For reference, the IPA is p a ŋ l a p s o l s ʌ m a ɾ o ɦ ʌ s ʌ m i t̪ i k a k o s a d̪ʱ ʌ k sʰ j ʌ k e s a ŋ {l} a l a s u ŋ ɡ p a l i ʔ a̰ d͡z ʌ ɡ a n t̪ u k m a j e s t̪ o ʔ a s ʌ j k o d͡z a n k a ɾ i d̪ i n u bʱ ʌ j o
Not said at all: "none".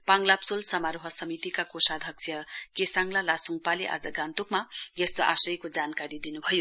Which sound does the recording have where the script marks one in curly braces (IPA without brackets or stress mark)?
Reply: l